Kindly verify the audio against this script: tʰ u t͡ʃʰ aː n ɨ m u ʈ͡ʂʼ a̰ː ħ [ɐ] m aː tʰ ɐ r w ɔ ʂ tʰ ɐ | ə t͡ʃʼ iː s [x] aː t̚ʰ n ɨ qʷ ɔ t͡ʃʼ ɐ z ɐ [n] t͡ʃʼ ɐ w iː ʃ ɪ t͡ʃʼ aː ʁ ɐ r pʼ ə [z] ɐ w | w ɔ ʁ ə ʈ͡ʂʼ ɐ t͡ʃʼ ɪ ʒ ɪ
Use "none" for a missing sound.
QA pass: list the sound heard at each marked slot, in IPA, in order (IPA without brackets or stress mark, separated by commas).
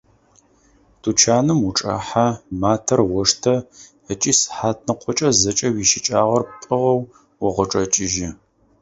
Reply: a, ħ, none, ʁ